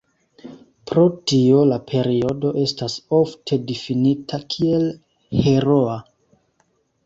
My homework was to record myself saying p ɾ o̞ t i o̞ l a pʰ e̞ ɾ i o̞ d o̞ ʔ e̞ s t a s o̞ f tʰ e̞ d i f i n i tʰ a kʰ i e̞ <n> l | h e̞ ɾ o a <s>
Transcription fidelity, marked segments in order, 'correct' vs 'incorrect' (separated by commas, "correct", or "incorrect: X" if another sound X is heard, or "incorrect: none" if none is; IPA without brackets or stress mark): incorrect: none, incorrect: none